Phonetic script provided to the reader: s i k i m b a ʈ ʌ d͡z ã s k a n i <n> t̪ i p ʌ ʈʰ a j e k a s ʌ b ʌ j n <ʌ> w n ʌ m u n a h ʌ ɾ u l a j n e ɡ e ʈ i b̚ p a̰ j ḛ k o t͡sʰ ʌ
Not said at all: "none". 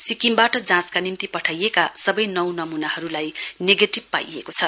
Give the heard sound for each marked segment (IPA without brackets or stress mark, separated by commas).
m, ʌ